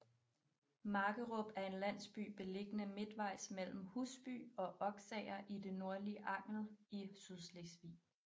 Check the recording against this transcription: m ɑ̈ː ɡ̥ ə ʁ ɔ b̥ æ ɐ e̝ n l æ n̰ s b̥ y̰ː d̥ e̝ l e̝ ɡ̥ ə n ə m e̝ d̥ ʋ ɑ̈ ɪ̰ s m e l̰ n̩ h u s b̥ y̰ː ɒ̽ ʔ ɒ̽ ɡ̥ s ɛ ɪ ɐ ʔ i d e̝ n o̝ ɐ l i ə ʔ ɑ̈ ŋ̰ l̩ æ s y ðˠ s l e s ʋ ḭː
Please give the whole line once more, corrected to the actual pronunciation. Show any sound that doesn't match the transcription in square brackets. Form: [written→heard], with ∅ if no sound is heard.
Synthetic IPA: m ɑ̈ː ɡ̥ ə ʁ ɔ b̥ æ ɐ e̝ n l æ n̰ s b̥ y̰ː [d̥→b̥] e̝ l e̝ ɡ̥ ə n ə m e̝ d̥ ʋ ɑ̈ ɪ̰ s m e l̰ [n̩→m̩] h u s b̥ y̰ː ɒ̽ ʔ ɒ̽ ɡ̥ s ɛ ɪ ɐ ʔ i d e̝ n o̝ ɐ l i ə ʔ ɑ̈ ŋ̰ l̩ [æ→i] s y ðˠ s l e s ʋ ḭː